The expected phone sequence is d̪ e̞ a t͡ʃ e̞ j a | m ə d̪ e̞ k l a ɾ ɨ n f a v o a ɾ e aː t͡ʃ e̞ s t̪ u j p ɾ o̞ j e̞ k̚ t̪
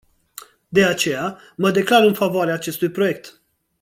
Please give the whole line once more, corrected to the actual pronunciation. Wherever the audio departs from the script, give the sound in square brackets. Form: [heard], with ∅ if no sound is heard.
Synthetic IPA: d̪ e̞ a t͡ʃ e̞ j a | m ə d̪ e̞ k l a ɾ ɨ n f a v o a ɾ e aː t͡ʃ e̞ s t̪ u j p ɾ o̞ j e̞ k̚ t̪